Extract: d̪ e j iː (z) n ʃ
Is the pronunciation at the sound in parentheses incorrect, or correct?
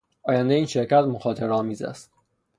incorrect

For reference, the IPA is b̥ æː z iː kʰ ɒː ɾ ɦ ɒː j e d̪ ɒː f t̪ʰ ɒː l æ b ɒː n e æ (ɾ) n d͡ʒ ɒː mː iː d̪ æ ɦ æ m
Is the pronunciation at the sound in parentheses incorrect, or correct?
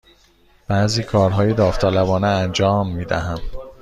incorrect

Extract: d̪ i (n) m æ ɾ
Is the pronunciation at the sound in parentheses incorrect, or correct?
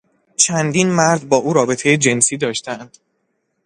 correct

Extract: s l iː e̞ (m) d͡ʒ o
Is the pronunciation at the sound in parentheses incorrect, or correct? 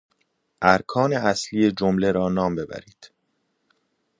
incorrect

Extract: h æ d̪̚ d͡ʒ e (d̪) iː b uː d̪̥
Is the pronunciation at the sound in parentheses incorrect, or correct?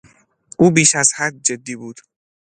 incorrect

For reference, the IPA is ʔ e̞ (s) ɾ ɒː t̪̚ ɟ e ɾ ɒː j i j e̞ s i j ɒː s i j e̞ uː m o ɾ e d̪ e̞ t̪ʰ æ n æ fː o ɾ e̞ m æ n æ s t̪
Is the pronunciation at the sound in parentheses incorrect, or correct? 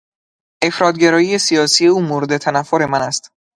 incorrect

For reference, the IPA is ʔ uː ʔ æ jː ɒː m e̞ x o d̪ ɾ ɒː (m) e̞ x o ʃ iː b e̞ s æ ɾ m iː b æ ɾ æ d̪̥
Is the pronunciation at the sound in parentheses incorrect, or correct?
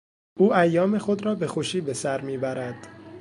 incorrect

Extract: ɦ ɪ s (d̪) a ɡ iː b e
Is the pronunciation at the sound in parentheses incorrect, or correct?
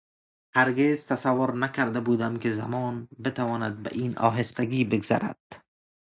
incorrect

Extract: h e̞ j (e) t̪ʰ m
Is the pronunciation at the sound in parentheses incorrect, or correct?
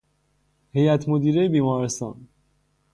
incorrect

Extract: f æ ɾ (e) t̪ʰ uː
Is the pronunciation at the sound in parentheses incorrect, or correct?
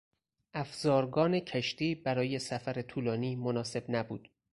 correct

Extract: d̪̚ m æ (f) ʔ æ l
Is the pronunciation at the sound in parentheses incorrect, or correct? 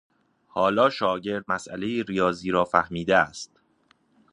incorrect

